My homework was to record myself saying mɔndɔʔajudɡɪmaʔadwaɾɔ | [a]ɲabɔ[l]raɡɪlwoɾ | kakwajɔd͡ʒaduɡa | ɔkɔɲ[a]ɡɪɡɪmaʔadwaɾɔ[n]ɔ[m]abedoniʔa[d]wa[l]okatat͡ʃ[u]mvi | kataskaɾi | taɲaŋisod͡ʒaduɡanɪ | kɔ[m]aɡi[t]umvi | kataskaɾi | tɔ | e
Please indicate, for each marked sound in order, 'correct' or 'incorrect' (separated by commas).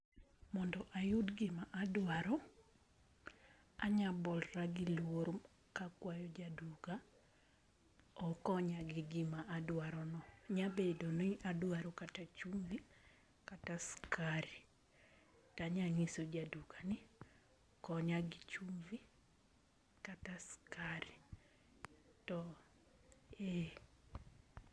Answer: correct, correct, correct, correct, incorrect, correct, incorrect, correct, incorrect, incorrect